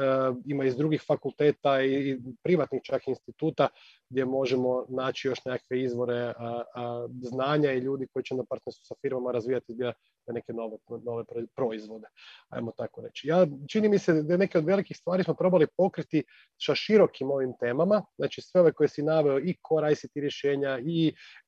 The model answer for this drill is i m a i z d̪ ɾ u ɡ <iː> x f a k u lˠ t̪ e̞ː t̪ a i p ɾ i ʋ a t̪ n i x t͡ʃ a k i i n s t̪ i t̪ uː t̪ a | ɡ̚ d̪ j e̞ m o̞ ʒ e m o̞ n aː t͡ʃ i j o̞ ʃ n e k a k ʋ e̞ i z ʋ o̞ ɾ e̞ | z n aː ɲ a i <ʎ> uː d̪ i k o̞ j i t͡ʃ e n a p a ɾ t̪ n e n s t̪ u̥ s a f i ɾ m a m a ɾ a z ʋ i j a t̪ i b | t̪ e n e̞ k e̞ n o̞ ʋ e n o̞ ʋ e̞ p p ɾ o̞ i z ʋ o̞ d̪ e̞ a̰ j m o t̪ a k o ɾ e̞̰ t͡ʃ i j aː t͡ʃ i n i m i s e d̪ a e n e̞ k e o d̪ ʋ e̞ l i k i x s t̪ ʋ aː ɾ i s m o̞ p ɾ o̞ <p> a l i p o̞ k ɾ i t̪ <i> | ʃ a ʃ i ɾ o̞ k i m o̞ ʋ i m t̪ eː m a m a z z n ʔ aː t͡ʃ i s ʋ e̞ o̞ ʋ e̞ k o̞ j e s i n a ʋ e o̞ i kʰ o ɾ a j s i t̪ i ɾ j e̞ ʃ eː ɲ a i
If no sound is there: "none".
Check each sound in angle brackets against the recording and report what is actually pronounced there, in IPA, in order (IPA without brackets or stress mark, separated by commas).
i, ʎ, b, i